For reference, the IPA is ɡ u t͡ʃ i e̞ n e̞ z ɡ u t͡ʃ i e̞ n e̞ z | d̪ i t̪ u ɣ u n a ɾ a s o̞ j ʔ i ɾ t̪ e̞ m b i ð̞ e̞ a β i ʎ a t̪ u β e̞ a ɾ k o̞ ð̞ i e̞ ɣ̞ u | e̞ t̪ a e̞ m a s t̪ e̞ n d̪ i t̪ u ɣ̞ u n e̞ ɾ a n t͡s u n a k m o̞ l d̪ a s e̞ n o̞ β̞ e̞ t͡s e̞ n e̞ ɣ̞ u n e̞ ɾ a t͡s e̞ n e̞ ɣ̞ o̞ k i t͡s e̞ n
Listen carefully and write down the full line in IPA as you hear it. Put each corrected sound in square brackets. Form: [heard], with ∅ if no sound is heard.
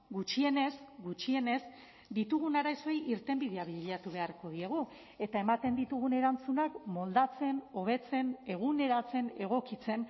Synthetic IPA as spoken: ɡ u t͡ʃ i e̞ n e̞ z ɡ u t͡ʃ i e̞ n e̞ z | d̪ i t̪ u ɣ u n a ɾ a s o̞ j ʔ i ɾ t̪ e̞ m b i ð̞ e̞ a β i ʎ a t̪ u β e̞ a ɾ k o̞ ð̞ i e̞ ɣ̞ u | e̞ t̪ a e̞ m a [∅] t̪ e̞ n d̪ i t̪ u ɣ̞ u n e̞ ɾ a n t͡s u n a k m o̞ l d̪ a [t͡s] e̞ n o̞ β̞ e̞ t͡s e̞ n e̞ ɣ̞ u n e̞ ɾ a t͡s e̞ n e̞ ɣ̞ o̞ k i t͡s e̞ n